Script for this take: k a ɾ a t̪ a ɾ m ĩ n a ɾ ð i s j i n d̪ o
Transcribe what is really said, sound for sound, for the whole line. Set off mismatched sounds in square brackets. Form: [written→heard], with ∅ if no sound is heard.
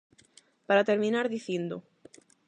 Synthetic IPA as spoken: [k→p] a ɾ a t̪ [a→e] ɾ m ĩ n a ɾ ð i [s→θ] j [i→e] n d̪ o